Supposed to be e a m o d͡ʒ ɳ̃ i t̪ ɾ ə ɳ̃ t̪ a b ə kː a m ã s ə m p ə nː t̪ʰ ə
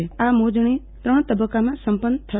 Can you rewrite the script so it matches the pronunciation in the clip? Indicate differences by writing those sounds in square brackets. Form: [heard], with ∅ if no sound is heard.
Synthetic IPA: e a m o d͡ʒ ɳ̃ i t̪ ɾ ə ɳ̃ t̪ [ə] b ə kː a m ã s ə m p ə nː t̪ʰ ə